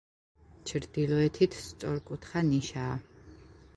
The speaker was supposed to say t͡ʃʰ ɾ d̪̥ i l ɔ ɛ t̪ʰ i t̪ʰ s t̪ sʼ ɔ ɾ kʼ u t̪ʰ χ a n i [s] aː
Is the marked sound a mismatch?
yes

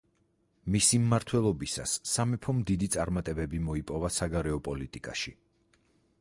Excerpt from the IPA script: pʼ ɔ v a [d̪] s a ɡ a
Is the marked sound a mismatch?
yes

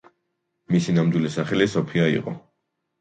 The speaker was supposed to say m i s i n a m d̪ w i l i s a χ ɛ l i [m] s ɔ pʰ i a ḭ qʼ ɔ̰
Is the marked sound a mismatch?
yes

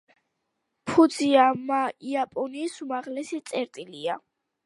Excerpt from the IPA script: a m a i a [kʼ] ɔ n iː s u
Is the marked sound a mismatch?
yes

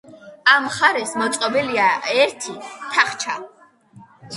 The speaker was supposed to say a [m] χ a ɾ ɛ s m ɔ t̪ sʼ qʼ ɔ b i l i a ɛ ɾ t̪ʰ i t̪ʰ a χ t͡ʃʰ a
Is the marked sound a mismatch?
no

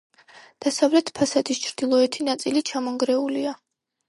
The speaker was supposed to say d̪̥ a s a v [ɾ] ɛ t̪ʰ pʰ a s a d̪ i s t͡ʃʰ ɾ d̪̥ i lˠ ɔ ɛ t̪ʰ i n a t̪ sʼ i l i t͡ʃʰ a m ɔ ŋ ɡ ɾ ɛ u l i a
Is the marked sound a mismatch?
yes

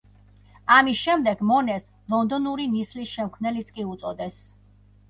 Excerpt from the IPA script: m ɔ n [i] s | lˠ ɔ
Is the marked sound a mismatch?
yes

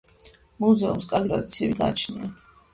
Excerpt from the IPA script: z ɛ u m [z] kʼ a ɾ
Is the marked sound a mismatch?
yes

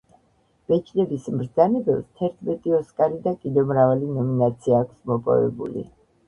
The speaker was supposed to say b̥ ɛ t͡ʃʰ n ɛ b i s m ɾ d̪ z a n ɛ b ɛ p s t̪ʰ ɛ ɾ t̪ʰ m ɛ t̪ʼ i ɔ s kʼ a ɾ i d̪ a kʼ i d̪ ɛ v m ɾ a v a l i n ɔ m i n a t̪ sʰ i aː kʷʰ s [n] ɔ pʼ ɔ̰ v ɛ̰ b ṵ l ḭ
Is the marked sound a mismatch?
yes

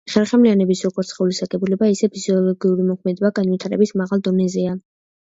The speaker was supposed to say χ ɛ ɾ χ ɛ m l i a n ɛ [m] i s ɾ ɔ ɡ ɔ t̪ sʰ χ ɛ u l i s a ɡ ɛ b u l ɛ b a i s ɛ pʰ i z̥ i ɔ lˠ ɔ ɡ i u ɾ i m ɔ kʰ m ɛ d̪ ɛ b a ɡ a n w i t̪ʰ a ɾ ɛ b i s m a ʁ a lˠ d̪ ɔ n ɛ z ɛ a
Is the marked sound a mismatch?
yes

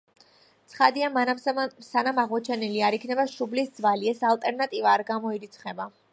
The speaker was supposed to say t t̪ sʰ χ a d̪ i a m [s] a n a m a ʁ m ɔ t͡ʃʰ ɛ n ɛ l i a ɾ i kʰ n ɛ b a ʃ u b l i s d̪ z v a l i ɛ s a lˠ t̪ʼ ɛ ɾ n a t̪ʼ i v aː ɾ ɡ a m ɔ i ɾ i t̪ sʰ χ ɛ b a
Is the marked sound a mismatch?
no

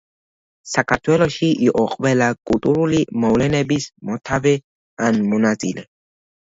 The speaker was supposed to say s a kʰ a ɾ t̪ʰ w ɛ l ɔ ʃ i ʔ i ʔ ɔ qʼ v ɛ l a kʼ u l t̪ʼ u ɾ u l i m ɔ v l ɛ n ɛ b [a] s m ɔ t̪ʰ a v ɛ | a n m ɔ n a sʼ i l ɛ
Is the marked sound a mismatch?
yes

